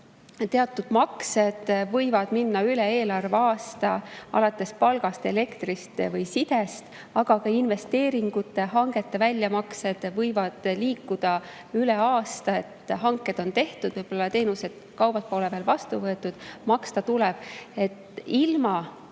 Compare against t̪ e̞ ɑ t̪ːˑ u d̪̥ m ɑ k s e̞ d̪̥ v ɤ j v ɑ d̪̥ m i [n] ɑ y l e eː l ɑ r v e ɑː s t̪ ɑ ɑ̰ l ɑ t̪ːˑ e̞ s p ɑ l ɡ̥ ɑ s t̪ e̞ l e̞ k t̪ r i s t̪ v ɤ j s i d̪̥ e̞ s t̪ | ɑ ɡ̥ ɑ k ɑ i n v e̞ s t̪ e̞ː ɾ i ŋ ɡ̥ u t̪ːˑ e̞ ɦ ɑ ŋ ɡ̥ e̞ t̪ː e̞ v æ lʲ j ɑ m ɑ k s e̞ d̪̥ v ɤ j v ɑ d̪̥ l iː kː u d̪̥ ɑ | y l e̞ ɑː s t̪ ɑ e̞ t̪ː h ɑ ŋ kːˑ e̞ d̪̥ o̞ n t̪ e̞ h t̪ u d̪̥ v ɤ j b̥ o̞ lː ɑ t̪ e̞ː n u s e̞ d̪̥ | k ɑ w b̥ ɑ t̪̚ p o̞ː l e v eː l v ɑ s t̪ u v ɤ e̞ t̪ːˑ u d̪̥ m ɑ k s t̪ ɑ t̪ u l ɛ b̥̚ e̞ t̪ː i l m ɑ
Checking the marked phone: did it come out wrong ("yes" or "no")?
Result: yes